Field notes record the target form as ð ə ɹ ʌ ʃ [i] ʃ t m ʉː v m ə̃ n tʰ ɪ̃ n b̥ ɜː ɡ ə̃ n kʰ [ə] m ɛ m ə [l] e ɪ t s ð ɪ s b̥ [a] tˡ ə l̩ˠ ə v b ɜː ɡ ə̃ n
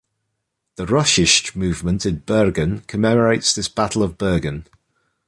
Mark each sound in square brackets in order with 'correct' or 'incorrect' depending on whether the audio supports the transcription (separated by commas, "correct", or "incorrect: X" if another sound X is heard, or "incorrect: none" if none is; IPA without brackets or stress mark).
incorrect: ɪ, correct, incorrect: ɹ, correct